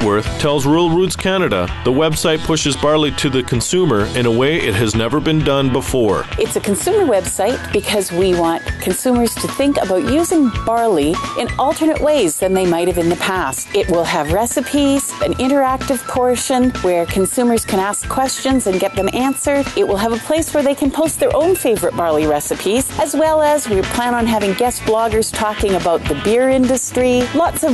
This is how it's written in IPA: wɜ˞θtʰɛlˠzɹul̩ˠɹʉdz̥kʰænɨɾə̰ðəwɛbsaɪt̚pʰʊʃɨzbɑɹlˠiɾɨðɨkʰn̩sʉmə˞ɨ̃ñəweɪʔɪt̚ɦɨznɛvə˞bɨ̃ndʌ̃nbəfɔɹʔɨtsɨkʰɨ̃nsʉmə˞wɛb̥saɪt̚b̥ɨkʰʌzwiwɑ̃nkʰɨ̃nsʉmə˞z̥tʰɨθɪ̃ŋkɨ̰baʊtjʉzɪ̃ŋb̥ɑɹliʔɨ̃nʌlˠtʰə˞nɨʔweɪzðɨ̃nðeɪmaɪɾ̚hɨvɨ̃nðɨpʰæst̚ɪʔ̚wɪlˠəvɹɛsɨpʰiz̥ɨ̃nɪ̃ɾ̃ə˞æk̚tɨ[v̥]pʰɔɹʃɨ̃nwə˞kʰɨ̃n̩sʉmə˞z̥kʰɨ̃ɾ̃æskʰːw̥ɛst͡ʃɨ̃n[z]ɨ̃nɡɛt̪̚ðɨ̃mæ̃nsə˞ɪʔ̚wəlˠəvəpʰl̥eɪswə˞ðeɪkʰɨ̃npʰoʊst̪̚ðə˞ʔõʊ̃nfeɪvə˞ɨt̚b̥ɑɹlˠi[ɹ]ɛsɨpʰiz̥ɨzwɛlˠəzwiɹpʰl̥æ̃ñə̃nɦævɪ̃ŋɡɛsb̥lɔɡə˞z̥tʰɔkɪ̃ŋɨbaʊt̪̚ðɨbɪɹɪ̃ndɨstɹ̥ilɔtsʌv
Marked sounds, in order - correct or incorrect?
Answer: correct, correct, correct

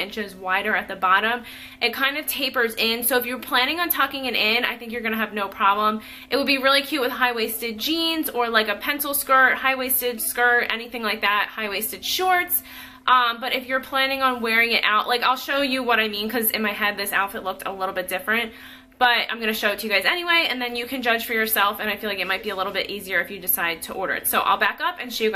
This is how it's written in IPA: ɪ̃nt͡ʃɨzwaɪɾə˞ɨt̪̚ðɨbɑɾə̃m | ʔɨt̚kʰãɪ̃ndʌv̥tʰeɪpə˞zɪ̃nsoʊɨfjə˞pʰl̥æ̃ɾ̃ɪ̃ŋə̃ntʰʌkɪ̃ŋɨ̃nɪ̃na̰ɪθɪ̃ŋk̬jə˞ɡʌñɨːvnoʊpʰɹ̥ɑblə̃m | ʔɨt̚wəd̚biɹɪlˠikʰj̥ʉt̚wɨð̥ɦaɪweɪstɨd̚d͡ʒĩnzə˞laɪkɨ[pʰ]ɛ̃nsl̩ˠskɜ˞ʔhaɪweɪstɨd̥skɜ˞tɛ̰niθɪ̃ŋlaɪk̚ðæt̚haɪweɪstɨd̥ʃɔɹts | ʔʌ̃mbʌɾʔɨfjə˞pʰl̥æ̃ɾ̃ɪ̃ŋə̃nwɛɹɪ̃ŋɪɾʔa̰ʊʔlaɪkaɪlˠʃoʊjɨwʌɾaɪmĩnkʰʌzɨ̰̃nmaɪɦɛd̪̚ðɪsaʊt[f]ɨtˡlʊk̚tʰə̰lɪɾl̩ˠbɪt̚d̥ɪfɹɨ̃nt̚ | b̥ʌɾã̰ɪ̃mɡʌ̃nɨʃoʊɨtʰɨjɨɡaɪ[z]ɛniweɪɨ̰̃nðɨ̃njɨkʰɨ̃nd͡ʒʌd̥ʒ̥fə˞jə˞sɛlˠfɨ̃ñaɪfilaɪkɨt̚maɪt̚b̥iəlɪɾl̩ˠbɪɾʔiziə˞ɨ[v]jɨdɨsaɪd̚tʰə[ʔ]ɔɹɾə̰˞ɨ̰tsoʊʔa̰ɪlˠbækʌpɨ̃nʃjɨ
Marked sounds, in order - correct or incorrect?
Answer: correct, correct, correct, incorrect: f, correct

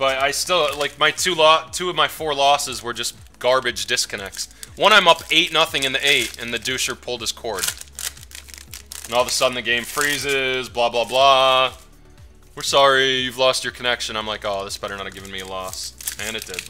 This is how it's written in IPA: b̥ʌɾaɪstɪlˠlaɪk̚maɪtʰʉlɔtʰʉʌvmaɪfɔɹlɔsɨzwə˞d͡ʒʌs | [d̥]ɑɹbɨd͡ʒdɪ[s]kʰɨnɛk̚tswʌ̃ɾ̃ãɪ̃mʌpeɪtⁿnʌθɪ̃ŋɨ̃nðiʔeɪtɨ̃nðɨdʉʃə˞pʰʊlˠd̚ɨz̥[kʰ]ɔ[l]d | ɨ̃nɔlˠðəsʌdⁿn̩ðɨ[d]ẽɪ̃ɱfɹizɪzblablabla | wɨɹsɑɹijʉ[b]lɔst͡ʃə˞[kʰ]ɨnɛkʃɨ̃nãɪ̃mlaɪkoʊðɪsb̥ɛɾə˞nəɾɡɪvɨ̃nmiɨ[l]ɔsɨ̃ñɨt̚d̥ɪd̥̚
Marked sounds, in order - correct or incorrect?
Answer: incorrect: ɡ̥, correct, correct, incorrect: ɹ, incorrect: ɡ, incorrect: v, correct, correct

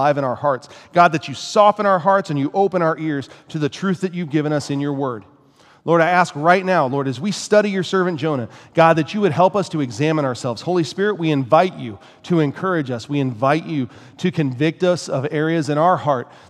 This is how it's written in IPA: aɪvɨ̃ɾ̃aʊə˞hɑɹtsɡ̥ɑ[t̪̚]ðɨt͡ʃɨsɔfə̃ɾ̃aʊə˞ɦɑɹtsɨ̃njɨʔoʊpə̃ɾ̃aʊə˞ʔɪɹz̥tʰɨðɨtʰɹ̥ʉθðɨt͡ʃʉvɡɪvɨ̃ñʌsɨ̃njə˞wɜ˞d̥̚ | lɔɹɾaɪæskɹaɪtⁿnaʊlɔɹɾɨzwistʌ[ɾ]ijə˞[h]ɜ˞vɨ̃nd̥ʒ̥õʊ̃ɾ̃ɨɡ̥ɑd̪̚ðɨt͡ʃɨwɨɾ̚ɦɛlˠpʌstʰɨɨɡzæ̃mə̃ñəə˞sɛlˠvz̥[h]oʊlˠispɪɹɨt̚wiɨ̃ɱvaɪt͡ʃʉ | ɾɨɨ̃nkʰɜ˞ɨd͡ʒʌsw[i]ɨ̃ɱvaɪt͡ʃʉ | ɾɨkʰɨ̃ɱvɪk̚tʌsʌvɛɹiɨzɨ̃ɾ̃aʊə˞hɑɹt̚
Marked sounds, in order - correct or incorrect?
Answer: incorrect: d̪̚, correct, incorrect: s, correct, correct

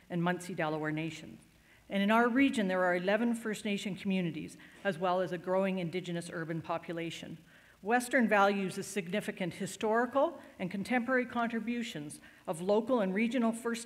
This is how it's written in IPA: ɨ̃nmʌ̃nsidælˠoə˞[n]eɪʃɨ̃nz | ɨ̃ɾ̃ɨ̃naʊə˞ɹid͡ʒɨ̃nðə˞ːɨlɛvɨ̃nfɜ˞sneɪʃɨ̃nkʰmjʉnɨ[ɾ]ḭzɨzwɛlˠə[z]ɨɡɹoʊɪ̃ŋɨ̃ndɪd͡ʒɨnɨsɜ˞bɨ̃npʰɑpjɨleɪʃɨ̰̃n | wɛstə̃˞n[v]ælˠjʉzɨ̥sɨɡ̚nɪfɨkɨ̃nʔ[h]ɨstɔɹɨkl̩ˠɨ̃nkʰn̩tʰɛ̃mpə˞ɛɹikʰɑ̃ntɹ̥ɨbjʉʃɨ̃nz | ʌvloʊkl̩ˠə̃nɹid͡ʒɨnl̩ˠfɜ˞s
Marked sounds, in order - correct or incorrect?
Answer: correct, correct, correct, correct, correct

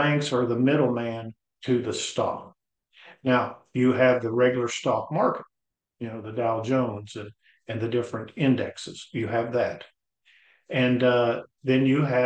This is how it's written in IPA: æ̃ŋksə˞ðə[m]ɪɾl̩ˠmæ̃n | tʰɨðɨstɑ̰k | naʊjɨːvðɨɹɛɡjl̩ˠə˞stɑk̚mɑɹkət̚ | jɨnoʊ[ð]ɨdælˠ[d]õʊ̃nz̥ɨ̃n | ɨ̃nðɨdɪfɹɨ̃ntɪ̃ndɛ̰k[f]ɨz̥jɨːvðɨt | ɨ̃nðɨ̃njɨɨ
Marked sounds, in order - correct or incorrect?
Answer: correct, correct, incorrect: d͡ʒ, incorrect: s

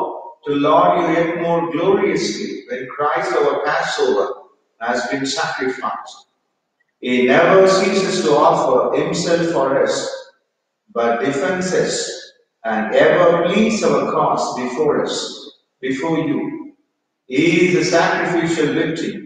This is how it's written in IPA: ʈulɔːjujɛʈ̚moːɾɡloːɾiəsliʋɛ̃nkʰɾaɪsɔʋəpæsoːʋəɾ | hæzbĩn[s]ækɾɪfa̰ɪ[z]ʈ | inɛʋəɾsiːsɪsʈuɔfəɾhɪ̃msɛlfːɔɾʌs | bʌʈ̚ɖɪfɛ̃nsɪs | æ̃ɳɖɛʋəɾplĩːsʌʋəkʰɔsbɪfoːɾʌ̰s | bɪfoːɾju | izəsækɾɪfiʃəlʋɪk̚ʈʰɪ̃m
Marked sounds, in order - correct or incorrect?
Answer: correct, incorrect: s

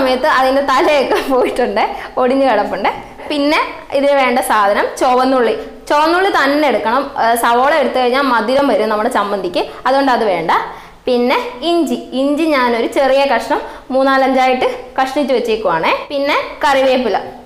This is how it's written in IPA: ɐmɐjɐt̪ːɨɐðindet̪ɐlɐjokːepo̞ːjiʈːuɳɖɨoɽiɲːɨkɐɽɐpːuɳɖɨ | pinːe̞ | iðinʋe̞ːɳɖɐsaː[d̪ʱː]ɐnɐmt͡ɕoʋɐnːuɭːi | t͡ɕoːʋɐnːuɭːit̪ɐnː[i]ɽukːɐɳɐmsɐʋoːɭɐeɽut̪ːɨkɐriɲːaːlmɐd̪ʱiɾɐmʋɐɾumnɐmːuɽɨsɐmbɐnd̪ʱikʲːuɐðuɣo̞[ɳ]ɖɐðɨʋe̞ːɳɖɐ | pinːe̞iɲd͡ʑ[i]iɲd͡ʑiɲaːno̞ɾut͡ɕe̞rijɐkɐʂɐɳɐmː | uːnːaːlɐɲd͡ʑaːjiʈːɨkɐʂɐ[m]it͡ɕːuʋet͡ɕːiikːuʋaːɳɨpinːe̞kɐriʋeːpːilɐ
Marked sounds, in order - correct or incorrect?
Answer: incorrect: d̪ʱ, incorrect: e, correct, correct, incorrect: ɳ

